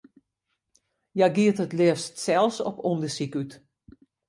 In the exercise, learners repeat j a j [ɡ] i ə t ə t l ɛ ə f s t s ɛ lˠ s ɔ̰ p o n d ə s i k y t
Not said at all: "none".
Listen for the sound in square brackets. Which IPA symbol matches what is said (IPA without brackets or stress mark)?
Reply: ɡ